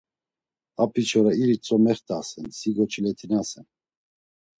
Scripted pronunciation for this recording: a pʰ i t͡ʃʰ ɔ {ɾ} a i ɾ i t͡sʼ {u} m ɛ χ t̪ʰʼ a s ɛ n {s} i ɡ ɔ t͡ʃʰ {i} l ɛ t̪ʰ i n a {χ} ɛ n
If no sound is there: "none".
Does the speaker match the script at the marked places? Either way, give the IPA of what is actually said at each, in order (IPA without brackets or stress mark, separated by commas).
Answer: ɾ, ɔ, s, i, s